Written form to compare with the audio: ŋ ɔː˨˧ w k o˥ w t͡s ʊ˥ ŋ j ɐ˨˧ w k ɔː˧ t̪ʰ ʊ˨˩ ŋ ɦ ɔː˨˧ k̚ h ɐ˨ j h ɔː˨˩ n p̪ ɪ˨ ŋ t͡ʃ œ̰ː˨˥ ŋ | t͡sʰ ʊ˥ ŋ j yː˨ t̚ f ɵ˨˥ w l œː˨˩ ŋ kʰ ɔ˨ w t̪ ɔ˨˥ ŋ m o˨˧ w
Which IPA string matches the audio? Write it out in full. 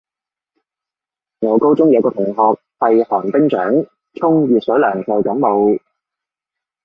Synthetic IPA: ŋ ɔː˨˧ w k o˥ w t͡s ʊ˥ ŋ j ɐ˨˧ w k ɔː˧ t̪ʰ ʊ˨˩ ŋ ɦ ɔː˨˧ k̚ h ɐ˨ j h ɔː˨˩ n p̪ ɪ˥ ŋ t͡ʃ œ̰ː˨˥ ŋ | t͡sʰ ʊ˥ ŋ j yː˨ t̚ s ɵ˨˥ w l œː˨˩ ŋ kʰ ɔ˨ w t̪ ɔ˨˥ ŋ m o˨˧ w

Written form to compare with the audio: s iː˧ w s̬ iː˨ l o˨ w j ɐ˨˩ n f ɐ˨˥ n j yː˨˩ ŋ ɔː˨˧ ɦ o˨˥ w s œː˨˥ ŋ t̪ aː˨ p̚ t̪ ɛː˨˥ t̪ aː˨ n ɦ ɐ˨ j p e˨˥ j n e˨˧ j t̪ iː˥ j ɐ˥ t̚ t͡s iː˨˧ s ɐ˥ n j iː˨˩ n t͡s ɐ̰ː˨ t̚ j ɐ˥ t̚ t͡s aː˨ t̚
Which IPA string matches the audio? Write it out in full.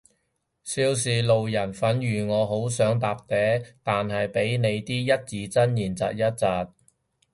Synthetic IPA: s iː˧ w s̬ iː˨ l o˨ w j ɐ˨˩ n f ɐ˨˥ n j yː˨˩ ŋ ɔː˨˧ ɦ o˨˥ w s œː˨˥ ŋ t̪ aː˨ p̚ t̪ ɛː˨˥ t̪ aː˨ n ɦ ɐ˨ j p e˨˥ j n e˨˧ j t̪ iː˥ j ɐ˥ t̚ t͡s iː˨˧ t͡s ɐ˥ n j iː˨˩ n t͡s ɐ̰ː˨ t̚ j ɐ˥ t̚ t͡s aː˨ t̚

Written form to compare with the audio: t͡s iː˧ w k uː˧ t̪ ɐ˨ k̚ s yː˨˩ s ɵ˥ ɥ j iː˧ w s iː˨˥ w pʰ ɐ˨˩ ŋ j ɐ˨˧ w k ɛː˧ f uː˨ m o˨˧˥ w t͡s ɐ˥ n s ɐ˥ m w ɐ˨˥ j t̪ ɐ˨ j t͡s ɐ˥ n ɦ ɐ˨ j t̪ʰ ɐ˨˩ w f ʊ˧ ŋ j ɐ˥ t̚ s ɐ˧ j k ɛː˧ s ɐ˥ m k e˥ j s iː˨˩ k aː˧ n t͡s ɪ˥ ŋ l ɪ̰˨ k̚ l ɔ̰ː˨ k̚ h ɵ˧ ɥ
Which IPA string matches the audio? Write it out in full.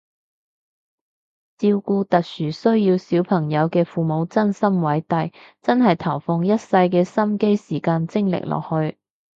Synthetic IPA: t͡s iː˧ w k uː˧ t̪ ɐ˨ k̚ s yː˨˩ s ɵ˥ ɥ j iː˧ w s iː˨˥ w pʰ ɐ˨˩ ŋ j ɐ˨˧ w k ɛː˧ f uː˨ m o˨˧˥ w t͡s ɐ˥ n s ɐ˥ m w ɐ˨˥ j t̪ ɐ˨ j t͡s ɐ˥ n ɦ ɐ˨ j t̪ʰ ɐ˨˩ w f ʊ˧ ŋ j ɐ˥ t̚ s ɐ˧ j k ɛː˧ s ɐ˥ m k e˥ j s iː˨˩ k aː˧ n t͡s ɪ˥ ŋ l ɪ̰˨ k̚ l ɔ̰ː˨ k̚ h ɵ˧ ɥ

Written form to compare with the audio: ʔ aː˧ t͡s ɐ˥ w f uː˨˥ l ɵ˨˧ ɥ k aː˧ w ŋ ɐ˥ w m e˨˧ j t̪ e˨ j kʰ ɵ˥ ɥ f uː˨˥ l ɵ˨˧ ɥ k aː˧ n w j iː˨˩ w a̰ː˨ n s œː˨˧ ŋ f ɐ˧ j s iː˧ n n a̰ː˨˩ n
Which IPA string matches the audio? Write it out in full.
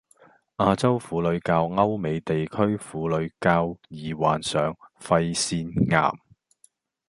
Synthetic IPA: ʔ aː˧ t͡s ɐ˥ w f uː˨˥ l ɵ˨˧ ɥ k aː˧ w ŋ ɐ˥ w m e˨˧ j t̪ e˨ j kʰ ɵ˥ ɥ f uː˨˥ l ɵ˨˧ ɥ k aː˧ w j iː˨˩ w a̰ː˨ n s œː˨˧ ŋ f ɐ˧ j s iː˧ n ŋ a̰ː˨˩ m

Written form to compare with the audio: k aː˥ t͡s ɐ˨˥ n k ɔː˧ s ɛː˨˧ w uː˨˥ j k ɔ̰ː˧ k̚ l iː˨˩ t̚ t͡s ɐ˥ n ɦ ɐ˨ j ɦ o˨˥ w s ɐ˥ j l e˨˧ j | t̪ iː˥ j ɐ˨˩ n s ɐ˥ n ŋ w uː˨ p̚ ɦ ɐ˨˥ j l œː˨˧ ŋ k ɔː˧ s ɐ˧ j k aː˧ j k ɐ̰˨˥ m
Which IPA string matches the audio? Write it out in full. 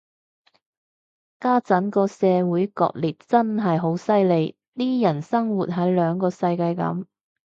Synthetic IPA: k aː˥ t͡s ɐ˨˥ n k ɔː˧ s ɛː˨˧ w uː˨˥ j k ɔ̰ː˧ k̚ l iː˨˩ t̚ t͡s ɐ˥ n ɦ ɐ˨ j ɦ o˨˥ w s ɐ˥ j l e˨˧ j | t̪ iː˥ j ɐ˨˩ n s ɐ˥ ŋ w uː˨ t̚ ɦ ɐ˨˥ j l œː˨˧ ŋ k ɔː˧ s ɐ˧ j k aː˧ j k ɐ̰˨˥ m

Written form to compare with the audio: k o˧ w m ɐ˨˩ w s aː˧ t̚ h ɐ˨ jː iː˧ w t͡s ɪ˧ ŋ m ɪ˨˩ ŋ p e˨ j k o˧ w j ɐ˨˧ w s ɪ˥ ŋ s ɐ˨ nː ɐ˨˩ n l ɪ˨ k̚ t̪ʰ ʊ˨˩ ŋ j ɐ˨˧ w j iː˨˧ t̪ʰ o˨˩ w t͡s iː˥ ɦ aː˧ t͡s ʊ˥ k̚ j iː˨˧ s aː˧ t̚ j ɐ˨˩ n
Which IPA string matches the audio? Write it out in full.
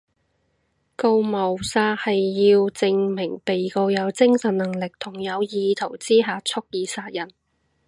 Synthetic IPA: k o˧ w m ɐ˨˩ w s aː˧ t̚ h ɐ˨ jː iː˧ w t͡s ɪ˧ ŋ m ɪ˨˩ ŋ p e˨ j k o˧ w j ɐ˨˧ w t͡s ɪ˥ ŋ s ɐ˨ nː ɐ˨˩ ŋ l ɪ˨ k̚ t̪ʰ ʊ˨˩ ŋ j ɐ˨˧ w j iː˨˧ t̪ʰ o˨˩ w t͡s iː˥ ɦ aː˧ t͡sʰ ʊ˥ k̚ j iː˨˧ s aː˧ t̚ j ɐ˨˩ n

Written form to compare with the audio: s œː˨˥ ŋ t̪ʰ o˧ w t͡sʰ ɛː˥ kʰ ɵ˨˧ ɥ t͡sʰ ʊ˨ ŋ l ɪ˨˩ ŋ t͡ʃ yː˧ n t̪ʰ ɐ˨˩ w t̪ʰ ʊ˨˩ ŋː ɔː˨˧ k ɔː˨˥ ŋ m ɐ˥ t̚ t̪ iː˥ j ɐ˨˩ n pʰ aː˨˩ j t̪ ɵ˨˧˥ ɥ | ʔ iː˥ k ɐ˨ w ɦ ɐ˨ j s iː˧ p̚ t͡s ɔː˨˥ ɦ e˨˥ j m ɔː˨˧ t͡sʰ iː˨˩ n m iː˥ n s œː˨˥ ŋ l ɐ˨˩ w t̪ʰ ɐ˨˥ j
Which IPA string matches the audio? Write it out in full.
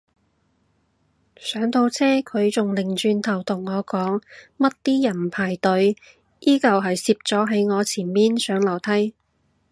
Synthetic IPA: s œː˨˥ ŋ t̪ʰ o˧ w t͡sʰ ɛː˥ kʰ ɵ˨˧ ɥ t͡s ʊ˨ ŋ l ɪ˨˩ ŋ t͡ʃ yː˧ n t̪ʰ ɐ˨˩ w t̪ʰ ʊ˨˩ ŋː ɔː˨˧ k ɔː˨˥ ŋ m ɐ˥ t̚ t̪ iː˥ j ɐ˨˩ n pʰ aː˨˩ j t̪ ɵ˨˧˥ ɥ | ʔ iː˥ k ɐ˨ w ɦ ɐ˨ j s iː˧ p̚ t͡s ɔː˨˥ ɦ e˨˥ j ŋ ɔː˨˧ t͡sʰ iː˨˩ n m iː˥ n s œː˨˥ ŋ l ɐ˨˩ w t̪ʰ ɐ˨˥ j

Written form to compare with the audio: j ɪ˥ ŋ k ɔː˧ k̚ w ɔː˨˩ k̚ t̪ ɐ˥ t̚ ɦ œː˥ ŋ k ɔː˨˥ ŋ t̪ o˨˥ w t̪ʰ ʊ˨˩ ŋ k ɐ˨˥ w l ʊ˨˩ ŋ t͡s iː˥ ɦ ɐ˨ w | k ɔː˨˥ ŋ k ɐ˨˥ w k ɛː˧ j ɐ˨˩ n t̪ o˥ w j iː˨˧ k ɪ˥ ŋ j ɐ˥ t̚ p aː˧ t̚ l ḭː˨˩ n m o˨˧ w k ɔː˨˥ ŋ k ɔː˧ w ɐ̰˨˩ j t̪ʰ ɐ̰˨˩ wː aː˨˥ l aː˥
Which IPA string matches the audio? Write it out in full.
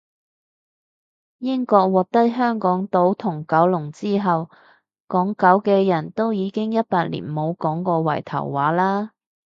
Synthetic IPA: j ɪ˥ ŋ k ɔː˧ k̚ w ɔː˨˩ k̚ t̪ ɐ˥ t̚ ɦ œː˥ ŋ k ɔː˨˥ ŋ t̪ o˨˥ w t̪ʰ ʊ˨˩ ŋ k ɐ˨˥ w l ʊ˨˩ ŋ t͡s iː˥ ɦ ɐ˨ w | k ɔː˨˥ ŋ k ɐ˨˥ w k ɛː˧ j ɐ˨˩ n t̪ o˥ w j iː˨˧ k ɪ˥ ŋ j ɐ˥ t̚ p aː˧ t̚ l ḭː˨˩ n m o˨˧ w k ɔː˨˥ ŋ k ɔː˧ w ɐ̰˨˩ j t̪ʰ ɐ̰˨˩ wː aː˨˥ l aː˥

